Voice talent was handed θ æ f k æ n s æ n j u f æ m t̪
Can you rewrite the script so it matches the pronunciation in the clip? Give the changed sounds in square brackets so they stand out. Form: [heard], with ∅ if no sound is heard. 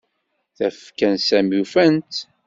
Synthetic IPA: θ æ f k æ n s æ [m] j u f æ [n] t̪